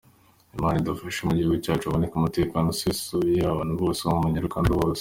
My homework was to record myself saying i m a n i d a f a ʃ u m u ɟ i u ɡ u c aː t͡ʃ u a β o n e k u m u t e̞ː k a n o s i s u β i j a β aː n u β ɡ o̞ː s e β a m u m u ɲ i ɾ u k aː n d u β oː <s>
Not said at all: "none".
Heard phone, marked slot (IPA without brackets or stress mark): s